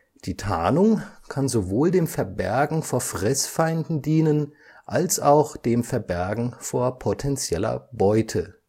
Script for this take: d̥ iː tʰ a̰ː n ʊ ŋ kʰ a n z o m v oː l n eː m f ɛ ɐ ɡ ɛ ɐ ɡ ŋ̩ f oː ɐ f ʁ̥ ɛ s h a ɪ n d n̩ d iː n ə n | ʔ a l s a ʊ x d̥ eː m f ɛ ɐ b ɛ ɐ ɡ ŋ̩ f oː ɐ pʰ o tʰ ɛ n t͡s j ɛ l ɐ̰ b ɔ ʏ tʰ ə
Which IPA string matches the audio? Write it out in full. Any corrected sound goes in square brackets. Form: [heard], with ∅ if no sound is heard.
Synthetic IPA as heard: d̥ iː tʰ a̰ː n ʊ ŋ kʰ a n z o [∅] v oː l [d] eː m f ɛ ɐ [b] ɛ ɐ ɡ ŋ̩ f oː ɐ f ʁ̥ ɛ s [f] a ɪ n d n̩ d iː n ə n | ʔ a l s a ʊ x d̥ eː m f ɛ ɐ b ɛ ɐ ɡ ŋ̩ f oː ɐ pʰ o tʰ ɛ n t͡s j ɛ l ɐ̰ b ɔ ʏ tʰ ə